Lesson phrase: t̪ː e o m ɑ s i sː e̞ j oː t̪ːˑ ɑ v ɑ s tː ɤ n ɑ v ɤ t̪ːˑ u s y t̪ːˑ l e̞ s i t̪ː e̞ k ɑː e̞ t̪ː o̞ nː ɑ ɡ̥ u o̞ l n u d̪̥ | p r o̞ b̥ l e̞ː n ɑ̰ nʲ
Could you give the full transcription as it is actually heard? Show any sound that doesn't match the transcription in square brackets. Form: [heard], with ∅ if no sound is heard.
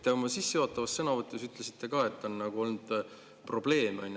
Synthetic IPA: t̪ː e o m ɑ s i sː e̞ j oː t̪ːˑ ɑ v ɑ s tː ɤ n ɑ v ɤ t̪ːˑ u s y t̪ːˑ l e̞ s i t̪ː e̞ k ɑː e̞ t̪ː o̞ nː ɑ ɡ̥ u o̞ l n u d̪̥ | p r o̞ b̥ l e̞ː [m] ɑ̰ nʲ

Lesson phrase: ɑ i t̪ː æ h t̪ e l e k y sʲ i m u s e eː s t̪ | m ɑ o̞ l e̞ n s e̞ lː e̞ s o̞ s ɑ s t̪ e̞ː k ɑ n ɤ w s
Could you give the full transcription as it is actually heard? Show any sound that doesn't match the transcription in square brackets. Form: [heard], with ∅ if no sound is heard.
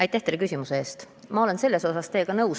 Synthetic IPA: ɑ [j] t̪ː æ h t̪ e l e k y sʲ i m u s e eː s t̪ | m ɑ o̞ l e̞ n s e̞ lː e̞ s o̞ s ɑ s t̪ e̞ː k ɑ n ɤ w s

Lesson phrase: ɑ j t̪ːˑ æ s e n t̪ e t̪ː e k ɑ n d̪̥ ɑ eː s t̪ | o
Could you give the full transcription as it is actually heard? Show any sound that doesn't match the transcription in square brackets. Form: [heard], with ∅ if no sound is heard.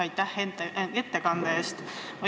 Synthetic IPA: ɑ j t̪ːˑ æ [h] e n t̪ e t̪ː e k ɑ n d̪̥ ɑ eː s t̪ | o

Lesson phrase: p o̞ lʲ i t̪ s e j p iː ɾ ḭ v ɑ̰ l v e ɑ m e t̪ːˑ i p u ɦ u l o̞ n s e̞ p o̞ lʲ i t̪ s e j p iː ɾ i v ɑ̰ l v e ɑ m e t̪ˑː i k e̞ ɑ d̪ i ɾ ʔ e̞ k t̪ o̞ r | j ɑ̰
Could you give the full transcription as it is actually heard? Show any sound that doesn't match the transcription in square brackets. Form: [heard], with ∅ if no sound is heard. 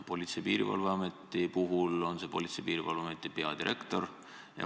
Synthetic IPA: p o̞ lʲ i t̪ s e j p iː ɾ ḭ v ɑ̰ l v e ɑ m e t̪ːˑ i p u ɦ u l o̞ n s e̞ p o̞ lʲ i t̪ s e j p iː ɾ i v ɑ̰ l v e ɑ m e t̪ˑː i [p] e̞ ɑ d̪ i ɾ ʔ e̞ k t̪ o̞ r | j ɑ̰

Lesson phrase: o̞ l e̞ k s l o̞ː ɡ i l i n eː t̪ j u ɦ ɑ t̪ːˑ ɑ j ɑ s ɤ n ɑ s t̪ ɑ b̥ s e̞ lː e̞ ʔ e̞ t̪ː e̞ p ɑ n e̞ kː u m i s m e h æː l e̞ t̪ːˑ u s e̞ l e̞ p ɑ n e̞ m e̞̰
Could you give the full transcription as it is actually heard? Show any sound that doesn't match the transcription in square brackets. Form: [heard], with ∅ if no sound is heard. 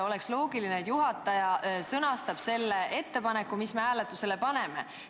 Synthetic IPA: o̞ l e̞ k s l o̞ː ɡ i l i n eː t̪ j u ɦ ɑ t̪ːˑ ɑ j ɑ s ɤ n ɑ s t̪ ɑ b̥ s e̞ lː e̞ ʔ e̞ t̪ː e̞ p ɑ n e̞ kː u m i s m e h æː l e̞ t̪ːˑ u s e̞ l e̞ p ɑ n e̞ m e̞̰

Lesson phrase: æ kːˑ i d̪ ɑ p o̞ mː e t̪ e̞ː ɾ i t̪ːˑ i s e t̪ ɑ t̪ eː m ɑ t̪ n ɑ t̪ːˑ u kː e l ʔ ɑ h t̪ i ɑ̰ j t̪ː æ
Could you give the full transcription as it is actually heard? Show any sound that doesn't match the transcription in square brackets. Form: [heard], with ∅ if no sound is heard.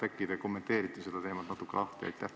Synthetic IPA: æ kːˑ i d̪ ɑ [k] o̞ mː e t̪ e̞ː ɾ i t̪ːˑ i s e [d̪] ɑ t̪ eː m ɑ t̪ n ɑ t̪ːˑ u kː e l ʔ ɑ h t̪ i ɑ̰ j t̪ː æ

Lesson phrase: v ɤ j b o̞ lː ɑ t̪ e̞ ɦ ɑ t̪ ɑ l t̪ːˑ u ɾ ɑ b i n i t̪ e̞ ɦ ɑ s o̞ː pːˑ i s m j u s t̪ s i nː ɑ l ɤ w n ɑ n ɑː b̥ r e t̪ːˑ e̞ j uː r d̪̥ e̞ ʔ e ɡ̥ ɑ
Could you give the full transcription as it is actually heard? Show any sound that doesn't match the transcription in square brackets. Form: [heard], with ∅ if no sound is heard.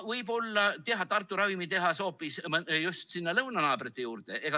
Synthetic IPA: v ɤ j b o̞ lː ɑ t̪ e̞ ɦ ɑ t̪ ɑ [r] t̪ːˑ u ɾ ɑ [v] i [m] i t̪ e̞ ɦ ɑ s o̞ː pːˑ i s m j u s t̪ s i nː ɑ l ɤ w n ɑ n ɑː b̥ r e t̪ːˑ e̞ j uː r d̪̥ e̞ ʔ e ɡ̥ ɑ

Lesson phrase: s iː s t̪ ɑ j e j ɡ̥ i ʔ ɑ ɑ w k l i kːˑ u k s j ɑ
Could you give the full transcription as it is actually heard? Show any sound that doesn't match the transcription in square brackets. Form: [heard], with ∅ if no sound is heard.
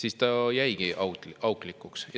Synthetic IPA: s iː s t̪ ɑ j [æ] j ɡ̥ i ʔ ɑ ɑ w k l i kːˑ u k s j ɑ

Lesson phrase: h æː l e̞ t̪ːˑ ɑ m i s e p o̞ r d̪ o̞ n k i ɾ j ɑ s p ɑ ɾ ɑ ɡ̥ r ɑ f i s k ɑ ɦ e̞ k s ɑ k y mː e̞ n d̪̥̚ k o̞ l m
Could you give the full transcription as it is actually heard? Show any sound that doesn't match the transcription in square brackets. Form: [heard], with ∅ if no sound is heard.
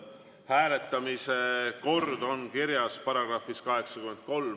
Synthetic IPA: h æː l e̞ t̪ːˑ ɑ m i s e [k] o̞ r d̪ o̞ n k i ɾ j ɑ s p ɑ ɾ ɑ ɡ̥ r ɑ f i s k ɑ ɦ e̞ k s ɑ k y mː e̞ n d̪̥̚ k o̞ l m

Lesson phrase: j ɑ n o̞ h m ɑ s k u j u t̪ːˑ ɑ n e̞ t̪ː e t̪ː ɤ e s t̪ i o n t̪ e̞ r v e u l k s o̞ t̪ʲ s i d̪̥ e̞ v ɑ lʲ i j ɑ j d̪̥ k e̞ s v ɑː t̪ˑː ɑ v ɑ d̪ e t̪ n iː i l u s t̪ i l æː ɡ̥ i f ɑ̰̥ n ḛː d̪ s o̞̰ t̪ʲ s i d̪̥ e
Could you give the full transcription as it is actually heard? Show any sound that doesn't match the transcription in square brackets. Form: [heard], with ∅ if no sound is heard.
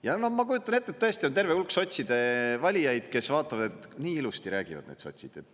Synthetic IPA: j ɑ n o̞ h m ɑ [∅] k u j u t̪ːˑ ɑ n e̞ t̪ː e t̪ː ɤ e s t̪ i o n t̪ e̞ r v e u l k s o̞ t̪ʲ s i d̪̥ e̞ v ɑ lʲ i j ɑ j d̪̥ k e̞ s v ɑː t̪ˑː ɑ v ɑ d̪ e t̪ n iː i l u s t̪ i [ɾ] æː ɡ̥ i [v] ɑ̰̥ n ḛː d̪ s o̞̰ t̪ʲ s i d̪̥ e

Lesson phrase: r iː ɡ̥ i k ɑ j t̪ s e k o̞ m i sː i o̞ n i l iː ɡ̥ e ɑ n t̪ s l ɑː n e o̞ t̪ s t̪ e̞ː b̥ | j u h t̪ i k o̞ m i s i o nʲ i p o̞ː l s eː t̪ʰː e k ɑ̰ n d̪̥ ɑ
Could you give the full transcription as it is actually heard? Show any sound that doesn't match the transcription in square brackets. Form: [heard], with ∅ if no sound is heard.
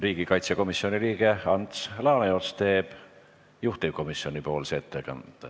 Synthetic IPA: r iː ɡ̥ i k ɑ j t̪ s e k o̞ m i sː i o̞ n i l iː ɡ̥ e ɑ n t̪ s l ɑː n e o̞ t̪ s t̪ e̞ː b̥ | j u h t̪ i k o̞ m i s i o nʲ i p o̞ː l s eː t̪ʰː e k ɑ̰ n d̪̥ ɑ

